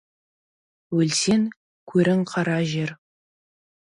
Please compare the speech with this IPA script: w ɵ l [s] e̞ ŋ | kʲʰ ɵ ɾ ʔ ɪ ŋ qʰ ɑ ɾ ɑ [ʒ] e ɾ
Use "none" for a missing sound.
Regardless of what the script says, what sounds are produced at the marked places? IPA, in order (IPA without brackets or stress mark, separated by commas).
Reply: s, ʒ